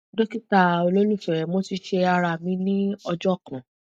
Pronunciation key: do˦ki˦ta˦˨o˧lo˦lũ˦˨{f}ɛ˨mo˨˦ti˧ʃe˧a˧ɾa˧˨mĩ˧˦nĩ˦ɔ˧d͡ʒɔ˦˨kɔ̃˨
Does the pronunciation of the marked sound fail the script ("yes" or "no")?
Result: no